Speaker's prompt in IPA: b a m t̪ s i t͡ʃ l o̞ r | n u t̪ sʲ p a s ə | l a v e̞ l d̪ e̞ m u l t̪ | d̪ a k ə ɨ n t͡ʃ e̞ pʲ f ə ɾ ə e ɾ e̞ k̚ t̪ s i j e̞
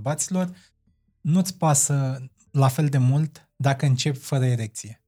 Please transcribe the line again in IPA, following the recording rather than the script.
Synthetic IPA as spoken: b a t̪ s i l o̞ r | n u t̪ sʲ p a s ə | l a f e̞ l d̪ e̞ m u l t̪ | d̪ a k ə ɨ n t͡ʃ e̞ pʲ f ə ɾ ə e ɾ e̞ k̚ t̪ s i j e̞